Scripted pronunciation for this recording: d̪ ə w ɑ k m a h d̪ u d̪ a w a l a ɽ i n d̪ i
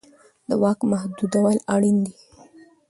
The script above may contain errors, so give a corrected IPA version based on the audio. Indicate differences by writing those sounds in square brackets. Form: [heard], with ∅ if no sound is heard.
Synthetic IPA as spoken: d̪ ə w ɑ k m a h d̪ u d̪ a w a l a ɽ i n d̪ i

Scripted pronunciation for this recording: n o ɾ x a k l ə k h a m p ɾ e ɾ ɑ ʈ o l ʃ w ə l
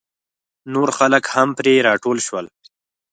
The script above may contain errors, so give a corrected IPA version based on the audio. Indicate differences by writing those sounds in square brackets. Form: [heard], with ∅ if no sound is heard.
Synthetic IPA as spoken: n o ɾ x a [∅] l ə k h a m p ɾ e ɾ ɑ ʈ o l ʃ w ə l

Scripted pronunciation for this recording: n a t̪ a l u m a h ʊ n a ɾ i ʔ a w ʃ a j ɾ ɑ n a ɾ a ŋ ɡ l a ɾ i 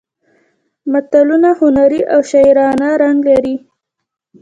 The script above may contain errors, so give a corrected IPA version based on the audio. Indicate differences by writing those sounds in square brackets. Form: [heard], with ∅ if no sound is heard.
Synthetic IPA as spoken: [m] a t̪ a l u [n] a h ʊ n a ɾ i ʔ a w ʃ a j ɾ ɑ n a ɾ a ŋ ɡ l a ɾ i

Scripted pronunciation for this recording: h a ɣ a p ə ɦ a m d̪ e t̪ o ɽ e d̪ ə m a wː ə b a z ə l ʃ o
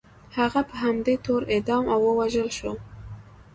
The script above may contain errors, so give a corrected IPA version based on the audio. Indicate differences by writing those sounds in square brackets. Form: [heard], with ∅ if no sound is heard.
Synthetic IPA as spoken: h a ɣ a p ə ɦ a m d̪ e t̪ o [ɾ] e d̪ [ɑ] m a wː ə [w] a [ʒ] ə l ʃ o

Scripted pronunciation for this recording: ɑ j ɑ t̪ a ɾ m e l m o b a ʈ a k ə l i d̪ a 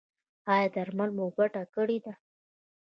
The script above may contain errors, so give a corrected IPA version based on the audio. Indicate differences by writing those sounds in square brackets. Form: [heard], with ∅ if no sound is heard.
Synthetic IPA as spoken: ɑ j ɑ [d̪] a ɾ m [a] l m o b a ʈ a k ə [ɽ] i d̪ a

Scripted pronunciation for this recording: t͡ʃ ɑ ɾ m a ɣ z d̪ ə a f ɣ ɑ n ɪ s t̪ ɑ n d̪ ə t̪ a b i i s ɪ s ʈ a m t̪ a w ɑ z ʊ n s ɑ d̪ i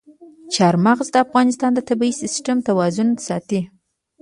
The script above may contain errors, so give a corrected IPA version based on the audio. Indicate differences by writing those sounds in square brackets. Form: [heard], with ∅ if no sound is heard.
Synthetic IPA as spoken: t͡ʃ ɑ ɾ m a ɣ z d̪ ə a f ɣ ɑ n ɪ s t̪ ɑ n d̪ ə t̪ a b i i s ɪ s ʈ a m t̪ a w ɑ z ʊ n s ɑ [t̪] i

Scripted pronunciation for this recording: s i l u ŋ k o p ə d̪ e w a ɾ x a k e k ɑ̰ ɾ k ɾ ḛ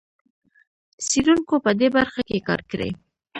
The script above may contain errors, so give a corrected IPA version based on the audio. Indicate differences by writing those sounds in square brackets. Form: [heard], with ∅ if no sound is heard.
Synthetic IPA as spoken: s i [ɾ] u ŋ k o p ə d̪ e [b] a ɾ x a k e k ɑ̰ ɾ k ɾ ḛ

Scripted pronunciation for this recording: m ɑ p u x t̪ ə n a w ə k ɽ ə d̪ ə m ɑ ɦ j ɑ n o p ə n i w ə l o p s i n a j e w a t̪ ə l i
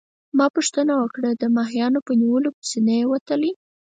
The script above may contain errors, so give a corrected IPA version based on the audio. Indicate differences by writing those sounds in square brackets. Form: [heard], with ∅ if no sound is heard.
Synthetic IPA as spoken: m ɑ p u [ʂ] t̪ ə n a w ə k ɽ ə d̪ ə m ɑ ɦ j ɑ n o p ə n i w ə l o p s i n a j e w a t̪ ə l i

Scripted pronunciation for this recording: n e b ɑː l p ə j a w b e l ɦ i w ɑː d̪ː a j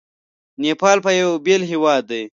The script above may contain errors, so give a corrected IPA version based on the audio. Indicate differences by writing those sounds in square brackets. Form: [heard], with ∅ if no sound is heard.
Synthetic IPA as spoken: n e [p] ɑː l p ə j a w b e l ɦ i w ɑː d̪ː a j

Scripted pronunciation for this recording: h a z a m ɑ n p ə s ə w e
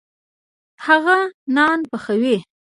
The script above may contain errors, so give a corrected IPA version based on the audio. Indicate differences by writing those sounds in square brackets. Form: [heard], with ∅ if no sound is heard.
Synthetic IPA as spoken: h a [ɣ] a [n] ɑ n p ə [x] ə w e

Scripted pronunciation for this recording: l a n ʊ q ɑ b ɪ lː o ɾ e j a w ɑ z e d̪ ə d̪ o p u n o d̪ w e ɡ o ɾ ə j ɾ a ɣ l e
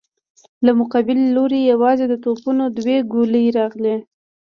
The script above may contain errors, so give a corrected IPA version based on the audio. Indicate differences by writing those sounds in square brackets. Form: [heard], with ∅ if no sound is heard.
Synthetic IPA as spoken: l a [m] ʊ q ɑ b ɪ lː o ɾ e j a w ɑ z e d̪ ə [t̪] o p u n o d̪ w e ɡ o [l] ə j ɾ [ɑ] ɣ l e

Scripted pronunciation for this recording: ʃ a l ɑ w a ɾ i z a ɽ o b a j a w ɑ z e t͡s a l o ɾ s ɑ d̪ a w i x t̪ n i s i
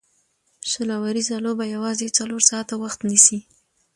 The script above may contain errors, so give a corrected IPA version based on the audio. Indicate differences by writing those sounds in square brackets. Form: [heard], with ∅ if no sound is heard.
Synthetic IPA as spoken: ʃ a l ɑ w a ɾ i z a [l] o b a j a w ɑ z e t͡s a l o ɾ s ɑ [t̪] a w [a] x t̪ n i s i

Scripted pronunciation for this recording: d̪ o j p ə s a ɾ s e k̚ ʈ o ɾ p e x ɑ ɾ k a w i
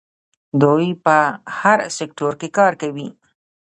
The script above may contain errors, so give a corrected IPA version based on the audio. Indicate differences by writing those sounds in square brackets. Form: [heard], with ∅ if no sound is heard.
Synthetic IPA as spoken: d̪ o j p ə [h] a ɾ s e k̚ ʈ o ɾ [k] e [k] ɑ ɾ k a w i

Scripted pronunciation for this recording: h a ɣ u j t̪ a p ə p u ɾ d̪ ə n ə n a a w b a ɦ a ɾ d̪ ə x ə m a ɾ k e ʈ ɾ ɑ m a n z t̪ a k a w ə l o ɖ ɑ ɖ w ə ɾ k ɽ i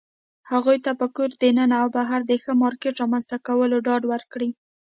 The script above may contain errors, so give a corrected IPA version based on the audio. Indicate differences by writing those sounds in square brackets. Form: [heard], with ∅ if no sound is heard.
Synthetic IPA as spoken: h a ɣ u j t̪ a p ə [k] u ɾ d̪ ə n ə n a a w b a ɦ a ɾ d̪ ə x ə m [ɑ] ɾ k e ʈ ɾ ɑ m a n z t̪ a k a w ə l o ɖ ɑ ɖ w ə ɾ k ɽ i

